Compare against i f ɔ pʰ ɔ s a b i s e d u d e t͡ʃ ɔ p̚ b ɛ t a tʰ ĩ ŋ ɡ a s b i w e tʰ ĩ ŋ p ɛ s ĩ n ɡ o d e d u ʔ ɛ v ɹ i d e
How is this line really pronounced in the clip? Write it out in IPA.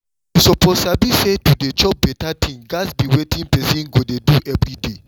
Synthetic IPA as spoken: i s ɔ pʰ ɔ s a b i s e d u d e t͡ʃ ɔ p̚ b ɛ t a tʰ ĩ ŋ ɡ a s b i w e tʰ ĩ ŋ p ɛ s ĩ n ɡ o d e d u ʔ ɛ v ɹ i d e

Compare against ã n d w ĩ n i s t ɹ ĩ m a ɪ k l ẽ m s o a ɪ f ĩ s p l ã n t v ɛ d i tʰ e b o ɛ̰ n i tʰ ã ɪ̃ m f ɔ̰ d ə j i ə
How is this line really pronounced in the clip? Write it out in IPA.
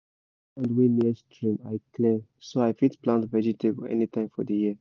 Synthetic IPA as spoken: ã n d w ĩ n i s t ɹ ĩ m a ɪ k l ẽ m s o a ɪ f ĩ t p l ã n t v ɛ d͡ʒ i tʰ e b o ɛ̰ n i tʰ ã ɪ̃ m f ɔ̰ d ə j i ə

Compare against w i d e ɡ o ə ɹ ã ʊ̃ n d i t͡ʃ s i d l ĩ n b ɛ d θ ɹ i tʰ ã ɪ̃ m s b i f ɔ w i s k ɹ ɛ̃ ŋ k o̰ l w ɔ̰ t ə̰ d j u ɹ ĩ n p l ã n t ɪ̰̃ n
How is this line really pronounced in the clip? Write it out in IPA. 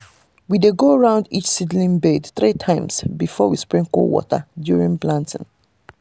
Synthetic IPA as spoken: w i d e ɡ o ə ɹ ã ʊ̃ n d i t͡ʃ s i d l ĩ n b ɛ d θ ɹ i tʰ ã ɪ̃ m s b i f ɔ w i s p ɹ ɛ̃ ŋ k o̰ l w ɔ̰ t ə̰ d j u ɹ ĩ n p l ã n t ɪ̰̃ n

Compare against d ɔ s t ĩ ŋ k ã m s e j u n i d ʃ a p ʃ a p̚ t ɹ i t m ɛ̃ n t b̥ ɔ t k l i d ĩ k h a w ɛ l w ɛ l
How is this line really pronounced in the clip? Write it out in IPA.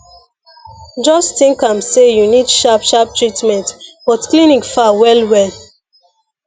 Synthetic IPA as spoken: d͡ʒ ɔ s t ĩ ŋ k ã m s e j u n i d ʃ a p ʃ a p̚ t ɹ i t m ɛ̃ n t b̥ ɔ t k l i n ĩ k f a w ɛ l w ɛ l

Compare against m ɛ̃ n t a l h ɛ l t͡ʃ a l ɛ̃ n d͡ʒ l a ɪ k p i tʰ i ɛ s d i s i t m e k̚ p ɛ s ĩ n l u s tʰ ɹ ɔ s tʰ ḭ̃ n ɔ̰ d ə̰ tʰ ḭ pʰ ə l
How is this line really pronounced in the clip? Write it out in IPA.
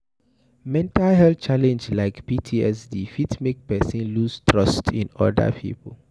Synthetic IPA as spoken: m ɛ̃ n t a l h ɛ l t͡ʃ a l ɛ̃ n d͡ʒ l a ɪ k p i tʰ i ɛ s d i f i t m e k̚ p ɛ s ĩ n l u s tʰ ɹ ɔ s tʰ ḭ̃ n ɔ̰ d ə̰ pʰ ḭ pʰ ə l

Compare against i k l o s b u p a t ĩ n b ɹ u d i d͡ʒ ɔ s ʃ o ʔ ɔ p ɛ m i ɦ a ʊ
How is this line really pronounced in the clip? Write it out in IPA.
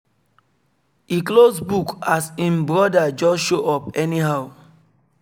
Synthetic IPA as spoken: i k l o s b u k a s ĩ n b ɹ ɔ d a d͡ʒ ɔ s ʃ o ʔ ɔ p ɛ n i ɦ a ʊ

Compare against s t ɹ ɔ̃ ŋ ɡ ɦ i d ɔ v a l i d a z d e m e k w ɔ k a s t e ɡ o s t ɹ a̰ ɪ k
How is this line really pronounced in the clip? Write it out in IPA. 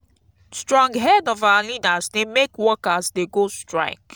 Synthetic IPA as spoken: s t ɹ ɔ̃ ŋ ɡ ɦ ɛ d ɔ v a l i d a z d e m e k w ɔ k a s d e ɡ o s t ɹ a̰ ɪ k

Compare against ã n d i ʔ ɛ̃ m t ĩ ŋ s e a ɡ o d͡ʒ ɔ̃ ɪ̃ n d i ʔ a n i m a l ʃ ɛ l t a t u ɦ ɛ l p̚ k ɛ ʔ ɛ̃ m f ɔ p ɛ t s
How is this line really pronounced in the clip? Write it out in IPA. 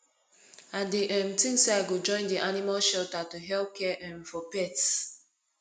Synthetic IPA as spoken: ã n d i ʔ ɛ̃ m t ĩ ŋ s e a ɡ o d͡ʒ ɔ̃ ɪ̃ n d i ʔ a n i m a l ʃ ɛ l t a t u ɦ ɛ l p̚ k ɛ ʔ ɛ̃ m f ɔ p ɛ t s

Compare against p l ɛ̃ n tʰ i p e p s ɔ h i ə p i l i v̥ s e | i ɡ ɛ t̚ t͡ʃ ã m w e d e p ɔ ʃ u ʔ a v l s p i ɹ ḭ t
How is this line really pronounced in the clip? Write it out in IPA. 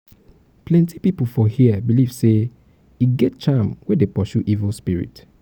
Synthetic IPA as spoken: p l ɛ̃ n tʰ i p i p f ɔ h i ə b i l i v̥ s e | i ɡ ɛ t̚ t͡ʃ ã m w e d e p ɔ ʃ u ʔ i v l s p i ɹ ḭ t

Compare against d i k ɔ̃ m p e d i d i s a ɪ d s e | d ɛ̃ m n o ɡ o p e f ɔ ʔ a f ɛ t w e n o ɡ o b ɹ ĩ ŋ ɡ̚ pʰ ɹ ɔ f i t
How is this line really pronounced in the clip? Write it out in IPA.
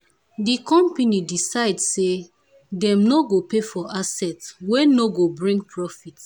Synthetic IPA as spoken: d i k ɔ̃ m p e n i d i s a ɪ d s e | d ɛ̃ m n o ɡ o p e f ɔ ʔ a s ɛ t w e n o ɡ o b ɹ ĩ ŋ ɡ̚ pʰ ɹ ɔ f i t

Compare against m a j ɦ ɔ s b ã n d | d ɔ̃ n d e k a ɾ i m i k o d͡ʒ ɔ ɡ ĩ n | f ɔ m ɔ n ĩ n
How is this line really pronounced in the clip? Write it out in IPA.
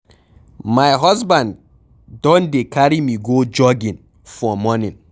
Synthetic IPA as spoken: m a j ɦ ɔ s b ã n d | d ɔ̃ n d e k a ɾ i m i ɡ o d͡ʒ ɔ ɡ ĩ n | f ɔ m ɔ n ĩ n

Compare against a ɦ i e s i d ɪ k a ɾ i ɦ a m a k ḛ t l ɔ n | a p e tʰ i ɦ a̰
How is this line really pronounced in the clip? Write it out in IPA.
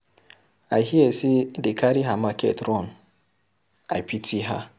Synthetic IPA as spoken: a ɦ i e s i d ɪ k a ɾ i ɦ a m a k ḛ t ɾ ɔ n | a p i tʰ i ɦ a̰

